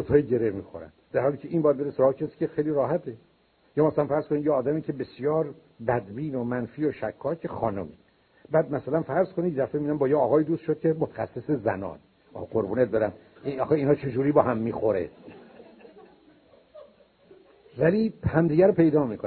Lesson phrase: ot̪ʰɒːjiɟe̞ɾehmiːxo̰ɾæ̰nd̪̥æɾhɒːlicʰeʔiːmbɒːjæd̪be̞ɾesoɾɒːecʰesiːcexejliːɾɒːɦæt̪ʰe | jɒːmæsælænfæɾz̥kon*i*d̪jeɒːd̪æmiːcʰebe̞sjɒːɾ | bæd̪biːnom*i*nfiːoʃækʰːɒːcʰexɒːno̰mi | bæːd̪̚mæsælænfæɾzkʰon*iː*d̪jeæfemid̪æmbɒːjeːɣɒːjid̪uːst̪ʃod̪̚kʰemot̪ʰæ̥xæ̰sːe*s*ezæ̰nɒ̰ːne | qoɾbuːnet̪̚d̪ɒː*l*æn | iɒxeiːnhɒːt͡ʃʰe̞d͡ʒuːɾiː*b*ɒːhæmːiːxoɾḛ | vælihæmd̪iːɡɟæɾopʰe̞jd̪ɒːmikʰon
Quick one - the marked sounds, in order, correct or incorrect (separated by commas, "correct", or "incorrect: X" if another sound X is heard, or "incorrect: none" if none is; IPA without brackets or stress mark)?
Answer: correct, incorrect: æ, incorrect: i, correct, incorrect: ɾ, correct